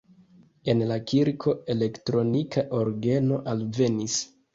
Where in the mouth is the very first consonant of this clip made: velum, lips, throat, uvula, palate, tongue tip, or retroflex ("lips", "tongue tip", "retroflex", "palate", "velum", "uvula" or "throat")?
tongue tip